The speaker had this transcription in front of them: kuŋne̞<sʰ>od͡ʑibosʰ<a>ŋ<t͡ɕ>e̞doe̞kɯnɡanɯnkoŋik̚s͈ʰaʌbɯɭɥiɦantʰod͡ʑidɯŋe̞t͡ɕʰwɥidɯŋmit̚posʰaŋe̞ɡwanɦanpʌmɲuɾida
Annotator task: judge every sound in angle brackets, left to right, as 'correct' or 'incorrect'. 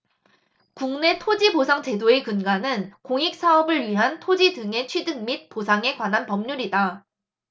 incorrect: tʰ, correct, correct

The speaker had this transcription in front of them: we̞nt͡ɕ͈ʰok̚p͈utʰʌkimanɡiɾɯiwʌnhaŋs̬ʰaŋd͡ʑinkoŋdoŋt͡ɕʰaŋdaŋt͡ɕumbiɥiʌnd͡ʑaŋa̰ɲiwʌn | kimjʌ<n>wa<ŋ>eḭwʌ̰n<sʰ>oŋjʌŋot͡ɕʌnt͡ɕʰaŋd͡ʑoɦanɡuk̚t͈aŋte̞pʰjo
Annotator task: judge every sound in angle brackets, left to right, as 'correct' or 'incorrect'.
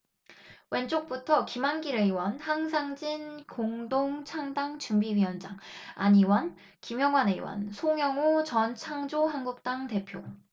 incorrect: ŋ, incorrect: n, correct

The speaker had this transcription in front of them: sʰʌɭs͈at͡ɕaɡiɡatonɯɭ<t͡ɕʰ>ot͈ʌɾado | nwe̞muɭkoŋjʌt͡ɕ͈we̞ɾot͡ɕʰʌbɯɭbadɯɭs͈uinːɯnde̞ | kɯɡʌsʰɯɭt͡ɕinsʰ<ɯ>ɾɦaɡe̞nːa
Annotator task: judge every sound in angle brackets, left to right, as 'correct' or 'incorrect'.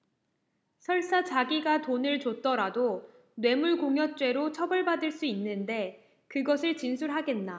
incorrect: t͡ɕ, incorrect: u

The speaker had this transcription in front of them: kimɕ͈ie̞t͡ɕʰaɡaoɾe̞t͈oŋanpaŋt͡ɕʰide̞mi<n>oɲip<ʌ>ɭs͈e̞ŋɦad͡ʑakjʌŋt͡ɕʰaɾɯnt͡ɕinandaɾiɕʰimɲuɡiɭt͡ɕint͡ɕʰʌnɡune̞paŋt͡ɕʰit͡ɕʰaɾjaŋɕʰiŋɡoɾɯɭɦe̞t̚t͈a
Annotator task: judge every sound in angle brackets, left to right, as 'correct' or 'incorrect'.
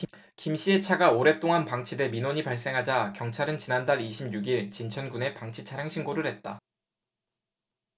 correct, incorrect: a

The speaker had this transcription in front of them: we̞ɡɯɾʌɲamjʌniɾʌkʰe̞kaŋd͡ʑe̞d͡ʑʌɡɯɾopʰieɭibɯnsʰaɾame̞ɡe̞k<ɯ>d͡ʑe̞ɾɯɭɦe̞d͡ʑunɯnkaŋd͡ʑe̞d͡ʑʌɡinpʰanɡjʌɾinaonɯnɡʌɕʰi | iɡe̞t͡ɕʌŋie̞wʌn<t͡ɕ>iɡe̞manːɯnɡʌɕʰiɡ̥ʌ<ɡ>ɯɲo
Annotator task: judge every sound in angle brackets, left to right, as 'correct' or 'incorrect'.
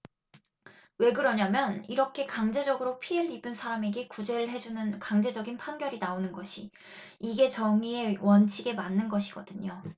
incorrect: u, incorrect: t͡ɕʰ, incorrect: d

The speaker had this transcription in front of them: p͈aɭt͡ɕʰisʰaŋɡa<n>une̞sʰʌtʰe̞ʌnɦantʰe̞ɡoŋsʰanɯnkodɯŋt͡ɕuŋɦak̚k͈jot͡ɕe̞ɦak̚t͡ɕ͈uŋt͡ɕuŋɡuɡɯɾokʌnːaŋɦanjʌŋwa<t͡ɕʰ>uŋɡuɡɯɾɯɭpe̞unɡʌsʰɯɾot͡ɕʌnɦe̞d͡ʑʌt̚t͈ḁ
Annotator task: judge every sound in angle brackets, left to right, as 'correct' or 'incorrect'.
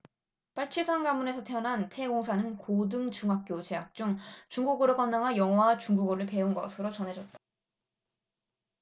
incorrect: m, incorrect: t͡ɕ

